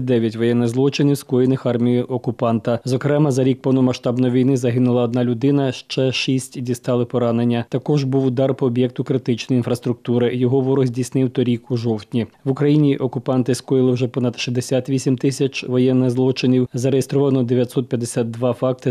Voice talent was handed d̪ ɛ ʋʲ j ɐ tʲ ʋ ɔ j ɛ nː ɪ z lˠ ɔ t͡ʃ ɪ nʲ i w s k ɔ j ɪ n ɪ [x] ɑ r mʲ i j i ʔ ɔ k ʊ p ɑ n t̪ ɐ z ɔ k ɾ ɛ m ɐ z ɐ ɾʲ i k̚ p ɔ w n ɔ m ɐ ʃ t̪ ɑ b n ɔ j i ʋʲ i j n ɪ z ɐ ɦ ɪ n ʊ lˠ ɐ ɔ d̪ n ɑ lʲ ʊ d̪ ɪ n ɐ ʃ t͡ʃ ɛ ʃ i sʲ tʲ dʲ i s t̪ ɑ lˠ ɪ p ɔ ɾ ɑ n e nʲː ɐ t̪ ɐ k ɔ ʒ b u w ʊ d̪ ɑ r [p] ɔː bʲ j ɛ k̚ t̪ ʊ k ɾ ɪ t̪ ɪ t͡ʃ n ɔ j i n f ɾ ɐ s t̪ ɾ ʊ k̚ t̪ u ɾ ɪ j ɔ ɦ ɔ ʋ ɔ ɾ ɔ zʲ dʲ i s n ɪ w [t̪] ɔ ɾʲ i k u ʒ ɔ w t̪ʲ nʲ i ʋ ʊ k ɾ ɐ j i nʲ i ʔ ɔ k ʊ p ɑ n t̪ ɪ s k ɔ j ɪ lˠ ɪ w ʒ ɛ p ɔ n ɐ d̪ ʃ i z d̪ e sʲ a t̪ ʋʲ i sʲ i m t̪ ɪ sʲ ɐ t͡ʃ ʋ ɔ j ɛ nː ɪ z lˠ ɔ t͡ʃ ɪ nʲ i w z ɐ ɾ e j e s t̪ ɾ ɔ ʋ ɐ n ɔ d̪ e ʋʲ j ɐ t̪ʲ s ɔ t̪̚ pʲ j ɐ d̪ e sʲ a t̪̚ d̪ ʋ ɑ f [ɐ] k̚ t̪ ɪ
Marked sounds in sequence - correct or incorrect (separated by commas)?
correct, correct, correct, incorrect